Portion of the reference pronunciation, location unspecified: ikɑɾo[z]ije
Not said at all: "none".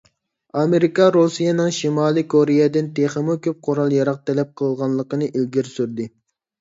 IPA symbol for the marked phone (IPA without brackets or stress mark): s